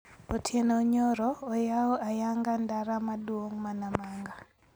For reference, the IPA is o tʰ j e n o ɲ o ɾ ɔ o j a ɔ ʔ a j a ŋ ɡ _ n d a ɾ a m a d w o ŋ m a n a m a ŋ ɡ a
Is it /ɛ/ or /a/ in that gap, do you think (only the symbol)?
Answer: a